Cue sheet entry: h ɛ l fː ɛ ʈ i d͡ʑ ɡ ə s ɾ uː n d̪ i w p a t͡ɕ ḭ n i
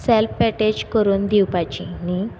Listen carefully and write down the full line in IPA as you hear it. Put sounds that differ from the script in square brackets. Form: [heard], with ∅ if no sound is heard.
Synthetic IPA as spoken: [s] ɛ l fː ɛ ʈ [e] d͡ʑ [k] ə [∅] ɾ uː n d̪ i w p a t͡ɕ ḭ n i